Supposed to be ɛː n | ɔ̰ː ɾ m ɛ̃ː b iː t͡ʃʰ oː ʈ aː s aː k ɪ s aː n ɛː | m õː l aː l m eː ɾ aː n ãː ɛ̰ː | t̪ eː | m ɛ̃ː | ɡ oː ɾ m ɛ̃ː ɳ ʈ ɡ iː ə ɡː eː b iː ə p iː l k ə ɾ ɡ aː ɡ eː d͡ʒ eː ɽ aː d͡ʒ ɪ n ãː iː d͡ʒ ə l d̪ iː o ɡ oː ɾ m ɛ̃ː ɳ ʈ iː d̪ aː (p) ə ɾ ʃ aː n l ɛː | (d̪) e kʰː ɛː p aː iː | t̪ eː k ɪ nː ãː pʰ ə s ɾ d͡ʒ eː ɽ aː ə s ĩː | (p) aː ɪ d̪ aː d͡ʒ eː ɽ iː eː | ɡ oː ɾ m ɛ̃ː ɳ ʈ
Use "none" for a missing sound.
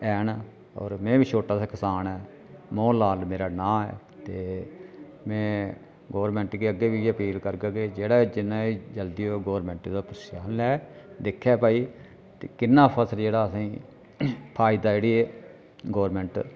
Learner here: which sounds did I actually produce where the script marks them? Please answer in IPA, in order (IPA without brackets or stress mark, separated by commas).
p, d̪, pʰ